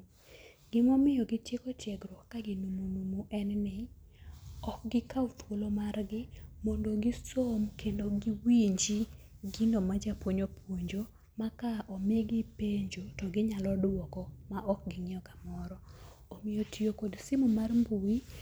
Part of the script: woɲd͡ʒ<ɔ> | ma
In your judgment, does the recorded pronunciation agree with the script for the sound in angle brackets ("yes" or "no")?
no